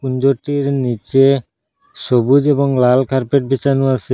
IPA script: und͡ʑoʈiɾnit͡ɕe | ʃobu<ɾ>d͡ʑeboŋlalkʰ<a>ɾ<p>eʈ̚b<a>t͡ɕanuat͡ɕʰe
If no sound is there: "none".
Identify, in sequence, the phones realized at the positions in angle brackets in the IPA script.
none, a, p, i

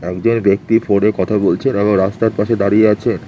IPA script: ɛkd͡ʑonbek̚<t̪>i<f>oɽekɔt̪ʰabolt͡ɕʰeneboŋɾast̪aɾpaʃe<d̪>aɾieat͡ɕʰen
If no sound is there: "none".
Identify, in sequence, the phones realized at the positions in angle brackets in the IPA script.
t̪, f, d̪

